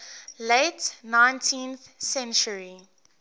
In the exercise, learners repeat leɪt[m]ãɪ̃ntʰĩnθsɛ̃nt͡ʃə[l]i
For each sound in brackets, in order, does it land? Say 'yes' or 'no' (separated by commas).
no, no